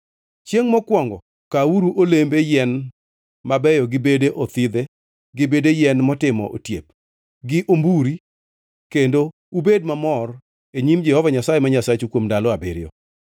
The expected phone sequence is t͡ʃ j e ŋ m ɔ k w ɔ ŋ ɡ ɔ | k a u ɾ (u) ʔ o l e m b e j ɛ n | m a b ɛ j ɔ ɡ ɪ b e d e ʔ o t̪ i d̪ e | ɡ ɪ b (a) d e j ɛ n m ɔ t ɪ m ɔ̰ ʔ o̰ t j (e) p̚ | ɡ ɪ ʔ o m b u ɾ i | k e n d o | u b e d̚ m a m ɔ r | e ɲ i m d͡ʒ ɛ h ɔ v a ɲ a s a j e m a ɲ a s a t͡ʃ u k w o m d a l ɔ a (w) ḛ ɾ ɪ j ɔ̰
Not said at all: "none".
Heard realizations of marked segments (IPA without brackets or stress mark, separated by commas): u, e, e, b